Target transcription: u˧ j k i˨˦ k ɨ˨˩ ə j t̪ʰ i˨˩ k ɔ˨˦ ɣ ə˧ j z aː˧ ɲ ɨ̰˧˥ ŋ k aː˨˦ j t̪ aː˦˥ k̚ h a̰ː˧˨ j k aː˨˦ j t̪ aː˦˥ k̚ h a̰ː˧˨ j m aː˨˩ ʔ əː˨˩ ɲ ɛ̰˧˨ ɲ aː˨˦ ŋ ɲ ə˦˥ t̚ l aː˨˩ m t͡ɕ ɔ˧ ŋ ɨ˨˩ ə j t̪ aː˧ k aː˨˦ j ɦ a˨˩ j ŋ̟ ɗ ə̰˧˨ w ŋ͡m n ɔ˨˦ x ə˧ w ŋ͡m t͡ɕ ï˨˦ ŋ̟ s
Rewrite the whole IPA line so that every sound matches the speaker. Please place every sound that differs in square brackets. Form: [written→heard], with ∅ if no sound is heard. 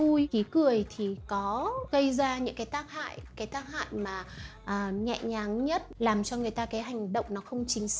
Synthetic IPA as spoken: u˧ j k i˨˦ k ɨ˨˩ ə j t̪ʰ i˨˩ k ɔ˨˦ ɣ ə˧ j z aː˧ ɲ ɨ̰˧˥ ŋ k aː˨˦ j t̪ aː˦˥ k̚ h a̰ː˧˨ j k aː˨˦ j t̪ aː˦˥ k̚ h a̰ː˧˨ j m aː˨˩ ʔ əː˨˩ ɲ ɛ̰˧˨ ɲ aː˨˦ ŋ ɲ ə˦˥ t̚ l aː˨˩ m t͡ɕ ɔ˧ ŋ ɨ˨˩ ə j t̪ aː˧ k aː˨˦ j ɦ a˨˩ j ŋ̟ ɗ ə̰˧˨ w ŋ͡m n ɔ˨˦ x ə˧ w ŋ͡m t͡ɕ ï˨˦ ŋ̟ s